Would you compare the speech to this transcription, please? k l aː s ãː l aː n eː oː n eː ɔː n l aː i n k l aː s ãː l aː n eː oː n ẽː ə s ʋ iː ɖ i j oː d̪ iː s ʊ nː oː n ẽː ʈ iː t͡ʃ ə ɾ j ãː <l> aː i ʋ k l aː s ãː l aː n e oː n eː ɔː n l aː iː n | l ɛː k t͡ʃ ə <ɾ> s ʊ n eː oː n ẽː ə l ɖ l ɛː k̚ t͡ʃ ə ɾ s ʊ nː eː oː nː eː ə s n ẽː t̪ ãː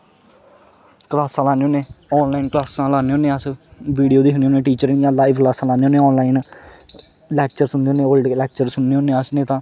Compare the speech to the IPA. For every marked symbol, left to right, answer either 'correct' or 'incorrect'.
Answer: correct, correct

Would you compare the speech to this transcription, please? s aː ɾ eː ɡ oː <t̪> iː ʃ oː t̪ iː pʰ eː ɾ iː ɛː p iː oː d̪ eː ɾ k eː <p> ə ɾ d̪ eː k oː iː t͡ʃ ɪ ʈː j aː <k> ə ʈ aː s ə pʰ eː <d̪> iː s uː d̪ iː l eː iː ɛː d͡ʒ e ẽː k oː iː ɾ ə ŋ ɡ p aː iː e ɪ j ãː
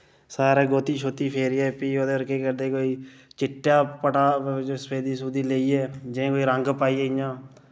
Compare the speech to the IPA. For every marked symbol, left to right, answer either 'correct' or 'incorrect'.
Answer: correct, incorrect: k, incorrect: p, correct

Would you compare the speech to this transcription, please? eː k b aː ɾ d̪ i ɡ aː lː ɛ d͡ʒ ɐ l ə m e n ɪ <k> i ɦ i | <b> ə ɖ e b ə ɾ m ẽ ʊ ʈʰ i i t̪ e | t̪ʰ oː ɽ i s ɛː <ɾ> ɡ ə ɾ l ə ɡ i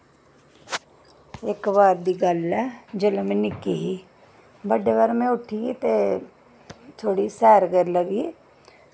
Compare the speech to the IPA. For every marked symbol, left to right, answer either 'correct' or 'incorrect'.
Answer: correct, correct, correct

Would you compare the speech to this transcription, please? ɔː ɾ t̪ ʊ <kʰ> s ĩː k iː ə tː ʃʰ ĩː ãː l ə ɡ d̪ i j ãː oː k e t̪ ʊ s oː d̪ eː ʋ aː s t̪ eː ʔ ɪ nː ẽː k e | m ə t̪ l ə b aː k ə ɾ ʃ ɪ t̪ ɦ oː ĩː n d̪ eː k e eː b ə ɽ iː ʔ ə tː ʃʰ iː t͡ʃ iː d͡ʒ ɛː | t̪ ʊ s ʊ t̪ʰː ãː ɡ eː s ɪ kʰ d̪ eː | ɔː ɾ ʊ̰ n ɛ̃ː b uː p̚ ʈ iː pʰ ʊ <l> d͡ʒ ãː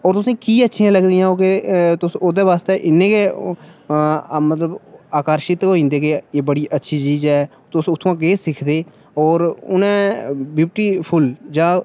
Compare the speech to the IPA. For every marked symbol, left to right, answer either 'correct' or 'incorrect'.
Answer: incorrect: none, correct

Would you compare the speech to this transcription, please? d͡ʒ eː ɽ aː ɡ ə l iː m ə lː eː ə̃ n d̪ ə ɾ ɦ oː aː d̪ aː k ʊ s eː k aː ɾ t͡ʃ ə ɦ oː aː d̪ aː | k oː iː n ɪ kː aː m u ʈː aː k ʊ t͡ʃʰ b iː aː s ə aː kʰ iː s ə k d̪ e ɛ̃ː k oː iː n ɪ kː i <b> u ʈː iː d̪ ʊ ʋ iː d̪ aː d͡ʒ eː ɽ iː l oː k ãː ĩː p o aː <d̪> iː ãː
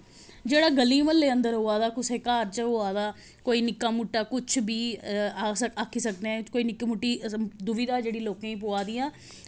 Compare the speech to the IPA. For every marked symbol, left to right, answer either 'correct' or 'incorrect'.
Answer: incorrect: m, correct

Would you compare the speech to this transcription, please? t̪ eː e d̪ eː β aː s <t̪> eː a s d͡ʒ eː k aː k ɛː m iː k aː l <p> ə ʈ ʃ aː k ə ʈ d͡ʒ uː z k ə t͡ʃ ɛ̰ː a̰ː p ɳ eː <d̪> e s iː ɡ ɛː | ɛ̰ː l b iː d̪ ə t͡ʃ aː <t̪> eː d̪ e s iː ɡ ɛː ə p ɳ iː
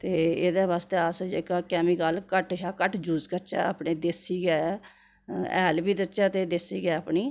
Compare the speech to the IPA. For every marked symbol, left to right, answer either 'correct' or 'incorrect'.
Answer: correct, incorrect: k, correct, correct

